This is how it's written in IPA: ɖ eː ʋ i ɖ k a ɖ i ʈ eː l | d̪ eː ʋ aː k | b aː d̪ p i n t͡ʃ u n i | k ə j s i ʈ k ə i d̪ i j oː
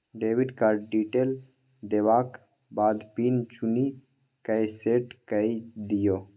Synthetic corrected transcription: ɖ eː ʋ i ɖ k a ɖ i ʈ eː l | d̪ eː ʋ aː k | b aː d̪ p i n t͡ʃ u n i | k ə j s e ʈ k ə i d̪ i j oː